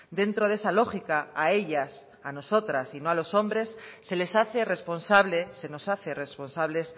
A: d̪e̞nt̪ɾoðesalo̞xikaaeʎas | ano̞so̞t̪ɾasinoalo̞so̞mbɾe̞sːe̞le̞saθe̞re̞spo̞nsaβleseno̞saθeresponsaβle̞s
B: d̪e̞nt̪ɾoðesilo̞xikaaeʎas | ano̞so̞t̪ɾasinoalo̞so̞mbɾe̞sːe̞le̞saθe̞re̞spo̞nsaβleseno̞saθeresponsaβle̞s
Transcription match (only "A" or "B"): A